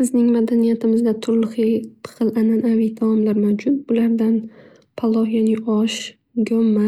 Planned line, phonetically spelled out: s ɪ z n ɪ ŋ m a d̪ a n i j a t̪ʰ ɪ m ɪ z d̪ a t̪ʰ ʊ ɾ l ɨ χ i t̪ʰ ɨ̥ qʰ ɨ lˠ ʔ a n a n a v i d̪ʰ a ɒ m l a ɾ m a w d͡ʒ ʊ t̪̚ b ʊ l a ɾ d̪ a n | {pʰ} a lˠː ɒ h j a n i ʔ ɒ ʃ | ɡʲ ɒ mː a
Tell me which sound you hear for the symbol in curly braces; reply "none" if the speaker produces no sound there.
pʰ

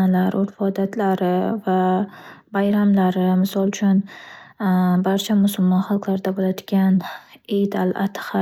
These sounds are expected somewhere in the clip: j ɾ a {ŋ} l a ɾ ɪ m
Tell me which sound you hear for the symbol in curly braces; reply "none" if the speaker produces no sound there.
m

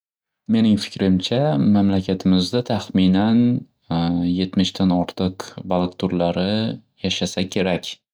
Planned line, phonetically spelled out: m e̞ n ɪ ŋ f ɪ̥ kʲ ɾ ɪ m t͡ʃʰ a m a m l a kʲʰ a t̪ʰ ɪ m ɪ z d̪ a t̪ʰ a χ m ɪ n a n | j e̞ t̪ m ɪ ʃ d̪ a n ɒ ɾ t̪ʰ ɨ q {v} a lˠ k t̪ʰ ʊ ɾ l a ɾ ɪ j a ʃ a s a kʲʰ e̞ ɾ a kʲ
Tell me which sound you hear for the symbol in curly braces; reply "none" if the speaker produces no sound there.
b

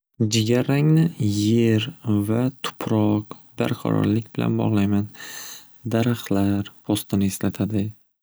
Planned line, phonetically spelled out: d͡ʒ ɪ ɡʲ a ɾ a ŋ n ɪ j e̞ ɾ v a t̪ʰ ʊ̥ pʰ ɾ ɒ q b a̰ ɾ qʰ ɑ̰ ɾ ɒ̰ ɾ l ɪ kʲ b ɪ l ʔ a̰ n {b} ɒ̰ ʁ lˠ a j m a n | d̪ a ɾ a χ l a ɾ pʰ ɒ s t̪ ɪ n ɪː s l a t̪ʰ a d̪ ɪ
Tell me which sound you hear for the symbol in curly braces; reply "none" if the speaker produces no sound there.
b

